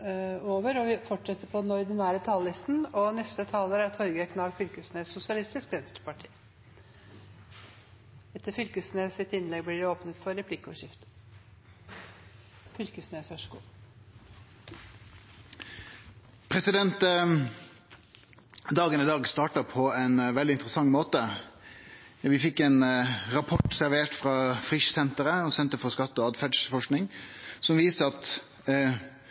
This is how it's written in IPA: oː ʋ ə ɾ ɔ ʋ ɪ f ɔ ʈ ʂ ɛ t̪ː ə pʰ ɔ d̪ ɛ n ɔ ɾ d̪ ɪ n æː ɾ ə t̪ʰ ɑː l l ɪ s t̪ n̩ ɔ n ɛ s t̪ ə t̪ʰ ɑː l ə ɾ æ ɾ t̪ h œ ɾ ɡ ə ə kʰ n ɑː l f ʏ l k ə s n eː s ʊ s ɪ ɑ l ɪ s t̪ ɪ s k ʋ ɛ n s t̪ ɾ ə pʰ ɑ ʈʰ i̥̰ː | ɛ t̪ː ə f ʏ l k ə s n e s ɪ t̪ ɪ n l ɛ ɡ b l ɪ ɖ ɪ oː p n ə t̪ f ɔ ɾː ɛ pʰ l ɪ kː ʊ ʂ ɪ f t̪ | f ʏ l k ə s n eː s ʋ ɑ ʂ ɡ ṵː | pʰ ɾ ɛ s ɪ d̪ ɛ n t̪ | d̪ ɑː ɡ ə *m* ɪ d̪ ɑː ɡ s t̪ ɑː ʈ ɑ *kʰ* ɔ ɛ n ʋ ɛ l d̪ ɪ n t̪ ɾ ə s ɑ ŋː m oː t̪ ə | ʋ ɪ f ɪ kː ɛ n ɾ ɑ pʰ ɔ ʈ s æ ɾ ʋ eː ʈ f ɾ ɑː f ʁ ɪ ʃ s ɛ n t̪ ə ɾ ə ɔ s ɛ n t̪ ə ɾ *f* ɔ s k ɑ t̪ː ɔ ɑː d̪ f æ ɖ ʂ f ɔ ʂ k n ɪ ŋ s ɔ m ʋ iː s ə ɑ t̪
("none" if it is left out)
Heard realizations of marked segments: n, pʰ, f

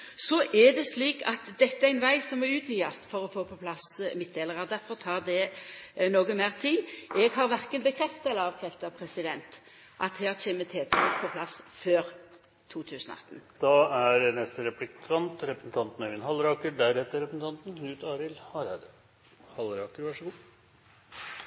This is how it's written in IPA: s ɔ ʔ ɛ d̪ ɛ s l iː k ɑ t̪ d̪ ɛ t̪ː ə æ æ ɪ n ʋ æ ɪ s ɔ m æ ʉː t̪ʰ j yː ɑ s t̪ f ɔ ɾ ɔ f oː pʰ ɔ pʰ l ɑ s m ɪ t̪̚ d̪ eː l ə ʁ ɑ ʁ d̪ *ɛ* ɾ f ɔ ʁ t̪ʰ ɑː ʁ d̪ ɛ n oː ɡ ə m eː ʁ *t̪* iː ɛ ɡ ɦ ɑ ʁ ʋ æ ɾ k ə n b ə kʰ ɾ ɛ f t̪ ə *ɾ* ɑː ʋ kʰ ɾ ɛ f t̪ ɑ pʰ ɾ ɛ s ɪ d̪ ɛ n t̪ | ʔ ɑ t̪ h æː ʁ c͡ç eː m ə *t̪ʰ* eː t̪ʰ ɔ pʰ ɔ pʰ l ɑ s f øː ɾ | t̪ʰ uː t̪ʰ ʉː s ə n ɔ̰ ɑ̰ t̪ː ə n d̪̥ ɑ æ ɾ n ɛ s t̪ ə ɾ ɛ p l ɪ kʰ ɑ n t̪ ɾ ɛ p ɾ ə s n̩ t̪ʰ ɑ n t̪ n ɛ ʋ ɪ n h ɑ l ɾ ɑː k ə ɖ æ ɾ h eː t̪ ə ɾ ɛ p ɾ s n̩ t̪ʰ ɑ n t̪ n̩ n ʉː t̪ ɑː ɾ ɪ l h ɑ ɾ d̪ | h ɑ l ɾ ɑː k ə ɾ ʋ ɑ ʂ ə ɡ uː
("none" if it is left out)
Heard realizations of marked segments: æ, t̪ʰ, l, t̪ʰ

